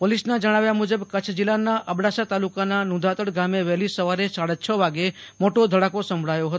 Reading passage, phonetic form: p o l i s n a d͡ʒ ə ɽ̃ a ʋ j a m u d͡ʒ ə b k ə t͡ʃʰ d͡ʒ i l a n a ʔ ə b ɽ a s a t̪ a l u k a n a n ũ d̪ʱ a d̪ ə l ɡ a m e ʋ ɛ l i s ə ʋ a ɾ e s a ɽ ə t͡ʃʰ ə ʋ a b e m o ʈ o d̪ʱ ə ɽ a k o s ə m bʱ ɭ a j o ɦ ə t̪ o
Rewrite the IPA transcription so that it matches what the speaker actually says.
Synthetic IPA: p o l i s n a d͡ʒ ə ɽ̃ a ʋ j a m u d͡ʒ ə b k ə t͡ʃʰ d͡ʒ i l a n a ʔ ə b ɽ a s a t̪ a l u k a n a n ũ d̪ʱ a t̪ ə ɽ ɡ a m e ʋ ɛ l i s ə ʋ a ɾ e s a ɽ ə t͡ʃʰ ə ʋ a ɡ e m o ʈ o d̪ʱ ə ɽ a k o s ə m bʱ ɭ a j o ɦ ə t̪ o